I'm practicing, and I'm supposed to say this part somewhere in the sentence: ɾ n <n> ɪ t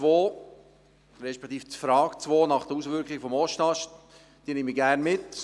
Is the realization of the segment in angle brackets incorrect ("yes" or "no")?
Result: yes